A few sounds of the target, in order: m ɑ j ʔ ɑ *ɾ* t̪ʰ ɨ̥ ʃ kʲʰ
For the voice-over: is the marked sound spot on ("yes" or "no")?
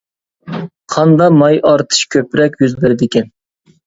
yes